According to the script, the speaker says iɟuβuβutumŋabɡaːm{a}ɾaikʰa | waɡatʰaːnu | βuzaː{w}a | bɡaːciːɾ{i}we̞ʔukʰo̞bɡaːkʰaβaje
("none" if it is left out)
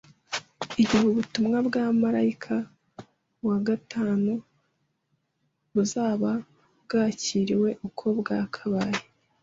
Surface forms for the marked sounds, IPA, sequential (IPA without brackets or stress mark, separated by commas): a, β, i